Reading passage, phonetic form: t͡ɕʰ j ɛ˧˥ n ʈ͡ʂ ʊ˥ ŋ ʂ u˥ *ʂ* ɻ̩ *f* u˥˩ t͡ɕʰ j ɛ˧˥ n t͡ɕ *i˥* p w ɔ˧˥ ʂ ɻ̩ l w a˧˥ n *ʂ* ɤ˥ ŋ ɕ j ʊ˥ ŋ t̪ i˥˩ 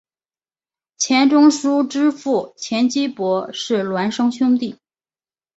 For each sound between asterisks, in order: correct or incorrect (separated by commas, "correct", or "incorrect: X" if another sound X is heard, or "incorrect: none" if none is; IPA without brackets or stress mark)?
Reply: incorrect: ʈ͡ʂ, correct, correct, correct